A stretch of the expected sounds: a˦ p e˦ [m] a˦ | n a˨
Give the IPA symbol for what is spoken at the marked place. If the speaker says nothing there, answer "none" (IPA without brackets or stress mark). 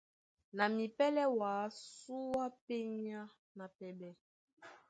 ɲ